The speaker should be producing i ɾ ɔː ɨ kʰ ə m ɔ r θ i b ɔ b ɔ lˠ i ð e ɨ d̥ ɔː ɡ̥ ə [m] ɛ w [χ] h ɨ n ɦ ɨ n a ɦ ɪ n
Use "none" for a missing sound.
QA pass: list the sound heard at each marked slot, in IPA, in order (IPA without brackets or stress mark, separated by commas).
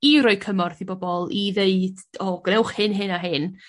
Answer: n, χ